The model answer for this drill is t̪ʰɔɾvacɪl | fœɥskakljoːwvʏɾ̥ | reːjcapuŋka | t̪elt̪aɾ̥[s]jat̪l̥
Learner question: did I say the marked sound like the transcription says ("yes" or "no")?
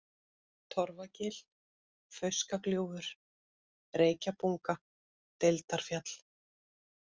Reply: no